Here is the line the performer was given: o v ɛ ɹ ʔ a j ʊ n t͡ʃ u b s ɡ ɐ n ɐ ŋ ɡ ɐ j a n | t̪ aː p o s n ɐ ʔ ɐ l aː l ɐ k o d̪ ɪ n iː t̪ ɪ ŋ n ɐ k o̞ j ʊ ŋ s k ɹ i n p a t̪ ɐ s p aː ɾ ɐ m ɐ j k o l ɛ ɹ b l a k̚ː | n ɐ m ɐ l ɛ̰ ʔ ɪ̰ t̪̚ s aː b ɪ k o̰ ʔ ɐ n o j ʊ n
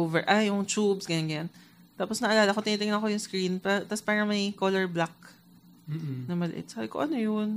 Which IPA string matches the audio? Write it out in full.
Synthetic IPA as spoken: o v ɛ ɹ ʔ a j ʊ ŋ t͡ʃ u b s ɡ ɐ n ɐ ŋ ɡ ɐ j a n | t̪ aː p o s n ɐ ʔ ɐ l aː l ɐ k o t̪ ɪ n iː t̪ ɪ ŋ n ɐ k o̞ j ʊ ŋ s k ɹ i n p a t̪ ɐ s p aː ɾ ɐ m ɐ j k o l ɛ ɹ b l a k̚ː | n ɐ m ɐ l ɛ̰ ʔ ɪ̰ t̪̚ s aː b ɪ k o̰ ʔ ɐ n o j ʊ n